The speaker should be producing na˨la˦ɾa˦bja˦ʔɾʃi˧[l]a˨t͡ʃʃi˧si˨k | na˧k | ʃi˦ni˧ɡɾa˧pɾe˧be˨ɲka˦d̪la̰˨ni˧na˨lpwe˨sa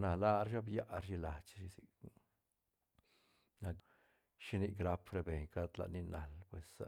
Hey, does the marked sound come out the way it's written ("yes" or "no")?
yes